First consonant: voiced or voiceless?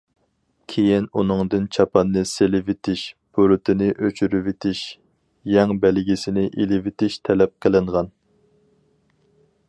voiceless